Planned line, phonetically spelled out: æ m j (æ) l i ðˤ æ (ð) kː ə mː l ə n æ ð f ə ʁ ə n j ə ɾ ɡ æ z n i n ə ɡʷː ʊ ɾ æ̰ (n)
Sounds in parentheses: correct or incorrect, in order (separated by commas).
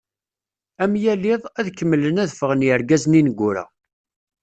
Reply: correct, correct, incorrect